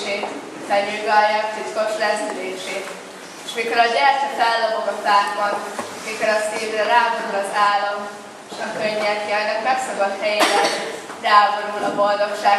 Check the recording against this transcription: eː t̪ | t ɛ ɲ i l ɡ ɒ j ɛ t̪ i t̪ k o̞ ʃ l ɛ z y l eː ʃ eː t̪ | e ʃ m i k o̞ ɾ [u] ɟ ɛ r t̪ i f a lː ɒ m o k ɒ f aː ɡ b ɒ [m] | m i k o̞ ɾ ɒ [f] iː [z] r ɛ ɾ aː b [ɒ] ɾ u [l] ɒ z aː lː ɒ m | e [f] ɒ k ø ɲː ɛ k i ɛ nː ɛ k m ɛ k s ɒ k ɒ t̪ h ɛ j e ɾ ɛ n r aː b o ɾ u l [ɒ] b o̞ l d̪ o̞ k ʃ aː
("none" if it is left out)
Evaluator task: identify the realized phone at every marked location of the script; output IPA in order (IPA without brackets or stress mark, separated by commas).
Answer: ɒ, n, s, v, o, l, ʃ, ɒ